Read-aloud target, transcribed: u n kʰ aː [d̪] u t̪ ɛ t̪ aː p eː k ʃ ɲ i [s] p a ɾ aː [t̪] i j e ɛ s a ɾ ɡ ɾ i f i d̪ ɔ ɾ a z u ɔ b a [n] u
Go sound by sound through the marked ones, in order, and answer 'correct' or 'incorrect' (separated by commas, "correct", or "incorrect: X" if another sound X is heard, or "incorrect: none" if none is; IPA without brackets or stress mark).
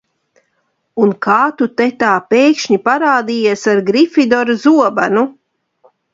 incorrect: t̪, incorrect: none, incorrect: d̪, correct